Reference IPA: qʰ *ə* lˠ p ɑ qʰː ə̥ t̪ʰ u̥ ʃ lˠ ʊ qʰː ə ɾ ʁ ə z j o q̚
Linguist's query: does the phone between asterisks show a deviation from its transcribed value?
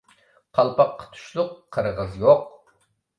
yes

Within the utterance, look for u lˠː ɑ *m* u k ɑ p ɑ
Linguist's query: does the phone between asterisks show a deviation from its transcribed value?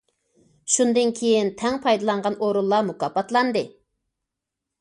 no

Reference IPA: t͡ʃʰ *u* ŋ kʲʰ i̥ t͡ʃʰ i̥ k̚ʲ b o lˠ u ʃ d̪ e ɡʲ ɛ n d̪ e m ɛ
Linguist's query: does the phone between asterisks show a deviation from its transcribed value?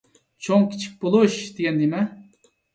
yes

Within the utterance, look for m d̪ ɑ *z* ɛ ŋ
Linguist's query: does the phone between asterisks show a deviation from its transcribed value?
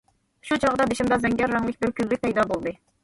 no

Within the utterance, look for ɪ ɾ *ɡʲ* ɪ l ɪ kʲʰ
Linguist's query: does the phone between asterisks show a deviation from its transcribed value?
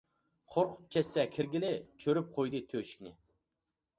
no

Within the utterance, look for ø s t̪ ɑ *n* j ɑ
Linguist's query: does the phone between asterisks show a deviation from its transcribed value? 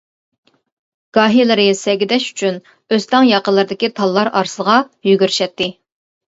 yes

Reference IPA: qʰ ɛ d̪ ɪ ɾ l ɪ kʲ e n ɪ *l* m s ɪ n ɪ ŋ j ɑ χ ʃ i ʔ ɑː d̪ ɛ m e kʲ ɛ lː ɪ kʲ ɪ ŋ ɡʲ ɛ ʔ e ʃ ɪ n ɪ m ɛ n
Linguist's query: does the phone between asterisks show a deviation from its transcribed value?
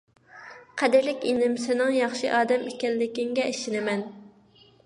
yes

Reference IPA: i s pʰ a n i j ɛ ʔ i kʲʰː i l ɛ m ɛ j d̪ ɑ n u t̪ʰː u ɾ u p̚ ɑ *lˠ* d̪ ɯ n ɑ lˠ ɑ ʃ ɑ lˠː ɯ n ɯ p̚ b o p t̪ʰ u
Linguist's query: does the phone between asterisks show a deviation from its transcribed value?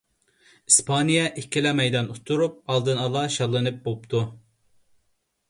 no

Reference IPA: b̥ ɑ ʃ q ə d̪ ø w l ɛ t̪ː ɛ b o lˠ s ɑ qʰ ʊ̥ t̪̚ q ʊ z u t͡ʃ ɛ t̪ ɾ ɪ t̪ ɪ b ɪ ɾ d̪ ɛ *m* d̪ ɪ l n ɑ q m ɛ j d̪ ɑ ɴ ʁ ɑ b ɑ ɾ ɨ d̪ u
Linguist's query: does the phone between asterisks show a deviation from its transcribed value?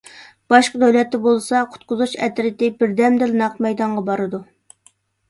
no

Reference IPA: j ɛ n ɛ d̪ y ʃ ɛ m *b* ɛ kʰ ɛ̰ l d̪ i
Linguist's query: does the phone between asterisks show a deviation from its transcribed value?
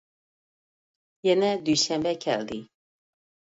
no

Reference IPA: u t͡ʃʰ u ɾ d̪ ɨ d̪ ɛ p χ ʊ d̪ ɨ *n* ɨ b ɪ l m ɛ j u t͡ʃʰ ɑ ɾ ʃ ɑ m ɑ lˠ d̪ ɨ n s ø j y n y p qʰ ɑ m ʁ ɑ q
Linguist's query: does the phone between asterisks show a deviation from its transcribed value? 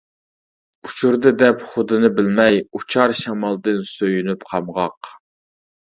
no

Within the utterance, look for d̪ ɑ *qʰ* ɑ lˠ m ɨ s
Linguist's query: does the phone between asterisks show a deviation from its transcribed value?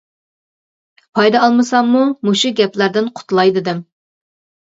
yes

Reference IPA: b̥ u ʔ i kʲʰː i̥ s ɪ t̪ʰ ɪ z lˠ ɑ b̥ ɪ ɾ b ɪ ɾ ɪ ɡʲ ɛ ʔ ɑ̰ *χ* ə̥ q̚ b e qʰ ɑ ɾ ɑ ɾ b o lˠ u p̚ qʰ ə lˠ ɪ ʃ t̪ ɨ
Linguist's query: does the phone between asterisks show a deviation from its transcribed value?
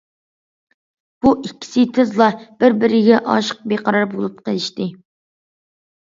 yes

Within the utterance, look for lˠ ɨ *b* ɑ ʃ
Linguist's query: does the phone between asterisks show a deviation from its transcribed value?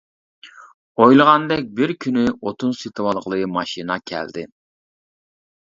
yes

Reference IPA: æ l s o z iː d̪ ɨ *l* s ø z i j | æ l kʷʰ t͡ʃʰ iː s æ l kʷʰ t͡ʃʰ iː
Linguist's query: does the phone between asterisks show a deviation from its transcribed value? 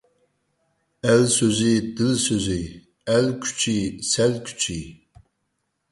no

